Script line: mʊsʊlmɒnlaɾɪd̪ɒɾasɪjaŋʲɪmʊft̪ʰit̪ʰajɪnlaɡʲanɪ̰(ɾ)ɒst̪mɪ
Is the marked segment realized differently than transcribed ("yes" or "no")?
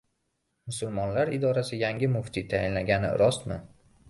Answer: no